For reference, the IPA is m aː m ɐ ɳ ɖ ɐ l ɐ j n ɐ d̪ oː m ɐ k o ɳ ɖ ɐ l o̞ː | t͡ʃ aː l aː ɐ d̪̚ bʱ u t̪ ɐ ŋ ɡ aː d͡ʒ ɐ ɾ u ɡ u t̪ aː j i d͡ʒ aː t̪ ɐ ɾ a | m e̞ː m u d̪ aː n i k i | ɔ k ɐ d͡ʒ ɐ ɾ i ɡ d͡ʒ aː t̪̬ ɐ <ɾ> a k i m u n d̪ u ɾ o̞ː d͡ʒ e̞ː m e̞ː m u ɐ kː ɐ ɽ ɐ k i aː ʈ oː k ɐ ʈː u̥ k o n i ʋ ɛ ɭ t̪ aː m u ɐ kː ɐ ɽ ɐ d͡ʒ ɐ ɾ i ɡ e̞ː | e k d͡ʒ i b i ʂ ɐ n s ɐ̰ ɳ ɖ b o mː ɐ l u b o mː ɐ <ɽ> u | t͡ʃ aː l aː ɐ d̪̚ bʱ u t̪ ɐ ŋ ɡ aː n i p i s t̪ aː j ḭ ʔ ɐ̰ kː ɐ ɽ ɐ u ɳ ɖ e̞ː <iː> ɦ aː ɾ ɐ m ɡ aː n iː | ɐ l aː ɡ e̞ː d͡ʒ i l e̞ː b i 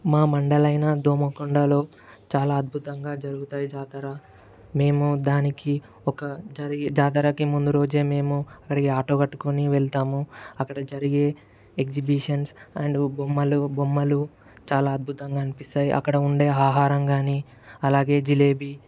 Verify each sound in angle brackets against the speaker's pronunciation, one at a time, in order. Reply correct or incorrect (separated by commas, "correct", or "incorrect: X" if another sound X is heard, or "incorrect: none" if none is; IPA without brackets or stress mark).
correct, incorrect: l, incorrect: aː